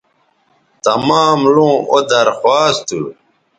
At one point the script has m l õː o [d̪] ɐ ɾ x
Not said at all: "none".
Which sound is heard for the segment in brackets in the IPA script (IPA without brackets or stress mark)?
d̪